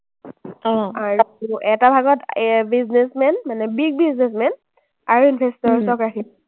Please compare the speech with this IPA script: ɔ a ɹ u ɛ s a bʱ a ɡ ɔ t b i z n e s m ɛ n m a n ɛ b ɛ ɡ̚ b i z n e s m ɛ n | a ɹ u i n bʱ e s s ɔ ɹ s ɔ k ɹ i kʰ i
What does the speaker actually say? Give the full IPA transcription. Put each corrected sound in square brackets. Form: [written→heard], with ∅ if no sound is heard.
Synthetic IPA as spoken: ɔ a ɹ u ɛ [s→t] a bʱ a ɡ ɔ t b i z n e s m ɛ n m a n ɛ b [ɛ→i] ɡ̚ b i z n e s m ɛ n | a ɹ u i n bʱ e s [s→t] ɔ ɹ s ɔ k ɹ [i→a] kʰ i

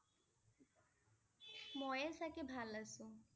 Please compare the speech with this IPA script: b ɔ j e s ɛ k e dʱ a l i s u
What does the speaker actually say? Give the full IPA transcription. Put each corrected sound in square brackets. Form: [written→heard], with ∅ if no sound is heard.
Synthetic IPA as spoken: [b→m] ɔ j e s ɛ k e [dʱ→bʱ] a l [i→a] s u

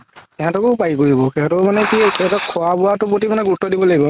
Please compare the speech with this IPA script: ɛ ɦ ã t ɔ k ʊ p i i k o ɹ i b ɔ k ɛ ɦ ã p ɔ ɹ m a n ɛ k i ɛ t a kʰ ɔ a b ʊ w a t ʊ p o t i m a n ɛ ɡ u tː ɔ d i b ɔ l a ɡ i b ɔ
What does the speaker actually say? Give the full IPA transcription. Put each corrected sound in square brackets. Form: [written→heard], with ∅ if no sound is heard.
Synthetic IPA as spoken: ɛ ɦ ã t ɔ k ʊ p [i→a] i k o ɹ i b ɔ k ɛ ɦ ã [p→t] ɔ [ɹ→∅] m a n ɛ k i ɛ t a kʰ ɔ a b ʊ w a t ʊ p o t i m a n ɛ ɡ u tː ɔ d i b ɔ l a ɡ i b ɔ

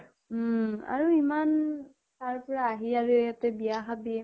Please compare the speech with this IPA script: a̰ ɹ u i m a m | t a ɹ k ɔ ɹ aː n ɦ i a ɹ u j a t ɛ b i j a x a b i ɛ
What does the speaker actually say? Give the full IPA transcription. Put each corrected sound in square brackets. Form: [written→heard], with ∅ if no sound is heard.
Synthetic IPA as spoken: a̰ ɹ u i m a [m→n] | t a ɹ [k→p] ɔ ɹ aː [n→∅] ɦ i a ɹ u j a t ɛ b i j a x a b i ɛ

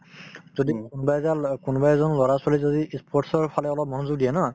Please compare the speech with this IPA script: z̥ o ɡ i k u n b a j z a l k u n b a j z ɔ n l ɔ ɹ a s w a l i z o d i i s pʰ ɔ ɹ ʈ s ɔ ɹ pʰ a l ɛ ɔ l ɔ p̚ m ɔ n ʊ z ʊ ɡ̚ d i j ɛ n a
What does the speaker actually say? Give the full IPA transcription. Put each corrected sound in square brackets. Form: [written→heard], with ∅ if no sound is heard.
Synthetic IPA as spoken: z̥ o [ɡ→d] i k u n b a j z a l k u n b a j z ɔ n l ɔ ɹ a s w a l i z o d i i s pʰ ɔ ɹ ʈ s ɔ ɹ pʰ a l ɛ ɔ l ɔ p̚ m ɔ n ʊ z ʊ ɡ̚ d i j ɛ n a

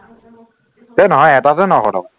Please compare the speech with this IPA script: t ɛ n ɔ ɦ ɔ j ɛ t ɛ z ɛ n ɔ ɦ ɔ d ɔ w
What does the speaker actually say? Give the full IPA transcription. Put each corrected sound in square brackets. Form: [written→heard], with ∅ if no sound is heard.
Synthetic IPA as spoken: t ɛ n ɔ ɦ ɔ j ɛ t [ɛ→a] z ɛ n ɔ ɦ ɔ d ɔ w

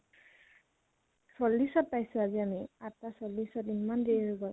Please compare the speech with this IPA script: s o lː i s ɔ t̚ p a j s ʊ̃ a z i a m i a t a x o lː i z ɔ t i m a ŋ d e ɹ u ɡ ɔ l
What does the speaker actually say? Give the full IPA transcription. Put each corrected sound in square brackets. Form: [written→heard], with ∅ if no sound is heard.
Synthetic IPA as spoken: s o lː i s ɔ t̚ p a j s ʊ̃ a z i a m i a t a [x→s] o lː i [z→s] ɔ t i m a [ŋ→n] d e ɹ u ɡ ɔ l

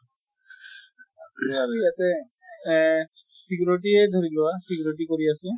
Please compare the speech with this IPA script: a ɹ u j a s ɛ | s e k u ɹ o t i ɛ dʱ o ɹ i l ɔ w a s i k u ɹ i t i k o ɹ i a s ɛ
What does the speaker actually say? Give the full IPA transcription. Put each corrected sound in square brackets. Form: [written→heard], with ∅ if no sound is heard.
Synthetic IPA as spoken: a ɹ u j a [s→t] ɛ | s [e→i] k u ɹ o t i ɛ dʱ o ɹ i l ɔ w a s i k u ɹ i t i k o ɹ i a s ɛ

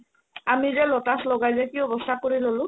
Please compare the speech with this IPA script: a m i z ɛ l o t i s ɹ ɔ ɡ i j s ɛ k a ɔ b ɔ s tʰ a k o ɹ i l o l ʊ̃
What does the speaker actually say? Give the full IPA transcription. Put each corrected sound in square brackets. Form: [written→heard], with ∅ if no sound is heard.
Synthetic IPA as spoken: a m i z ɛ l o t [i→a] s [ɹ→l] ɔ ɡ [i→a] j [s→z] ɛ k [a→i] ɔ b ɔ s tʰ a k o ɹ i l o l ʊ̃

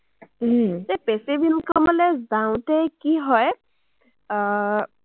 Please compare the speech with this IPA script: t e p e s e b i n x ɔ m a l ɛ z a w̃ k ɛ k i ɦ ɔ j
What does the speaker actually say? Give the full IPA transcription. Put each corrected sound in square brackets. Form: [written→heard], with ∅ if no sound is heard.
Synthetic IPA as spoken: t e p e s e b i n [x→k] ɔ m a l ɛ z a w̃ [k→t] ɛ k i ɦ ɔ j

